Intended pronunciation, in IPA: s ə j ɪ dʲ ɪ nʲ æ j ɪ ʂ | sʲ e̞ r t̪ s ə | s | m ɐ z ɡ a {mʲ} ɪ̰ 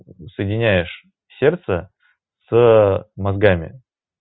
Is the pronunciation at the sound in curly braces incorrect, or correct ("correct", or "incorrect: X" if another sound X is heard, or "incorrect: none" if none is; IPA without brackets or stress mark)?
correct